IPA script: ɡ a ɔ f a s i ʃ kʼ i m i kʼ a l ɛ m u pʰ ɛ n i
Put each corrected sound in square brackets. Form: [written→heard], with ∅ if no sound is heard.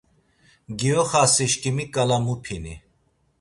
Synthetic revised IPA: ɡ [a→i] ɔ [f→χ] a s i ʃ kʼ i m i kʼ a l [ɛ→a] m u pʰ [ɛ→i] n i

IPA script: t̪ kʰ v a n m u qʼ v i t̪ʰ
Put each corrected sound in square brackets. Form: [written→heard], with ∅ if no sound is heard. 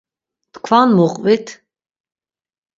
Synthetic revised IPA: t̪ kʰ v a n m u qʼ v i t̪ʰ

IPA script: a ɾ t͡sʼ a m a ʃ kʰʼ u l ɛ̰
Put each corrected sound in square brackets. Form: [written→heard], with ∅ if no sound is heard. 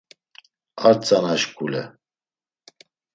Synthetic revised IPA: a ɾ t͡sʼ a [m→n] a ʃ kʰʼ u l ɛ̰

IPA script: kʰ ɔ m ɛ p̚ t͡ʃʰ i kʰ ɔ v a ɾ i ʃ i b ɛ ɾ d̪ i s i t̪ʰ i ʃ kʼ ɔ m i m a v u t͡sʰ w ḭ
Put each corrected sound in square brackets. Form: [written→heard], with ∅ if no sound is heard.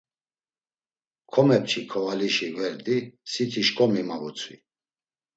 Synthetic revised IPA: kʰ ɔ m ɛ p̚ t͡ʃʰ i kʰ ɔ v a [ɾ→l] i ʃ i [b→v] ɛ ɾ d̪ i s i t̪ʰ i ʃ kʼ ɔ m i m a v u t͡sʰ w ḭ

